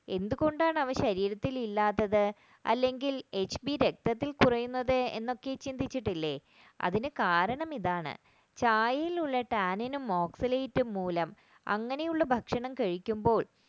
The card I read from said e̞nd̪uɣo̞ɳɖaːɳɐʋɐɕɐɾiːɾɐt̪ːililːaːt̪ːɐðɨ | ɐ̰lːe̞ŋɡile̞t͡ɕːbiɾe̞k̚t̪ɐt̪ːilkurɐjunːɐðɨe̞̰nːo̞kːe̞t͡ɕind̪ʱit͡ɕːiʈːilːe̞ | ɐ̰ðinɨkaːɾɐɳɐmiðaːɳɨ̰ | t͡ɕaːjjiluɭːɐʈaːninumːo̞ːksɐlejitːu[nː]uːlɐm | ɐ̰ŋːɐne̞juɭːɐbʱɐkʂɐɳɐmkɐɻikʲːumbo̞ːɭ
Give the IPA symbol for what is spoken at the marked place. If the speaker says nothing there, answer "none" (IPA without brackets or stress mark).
mː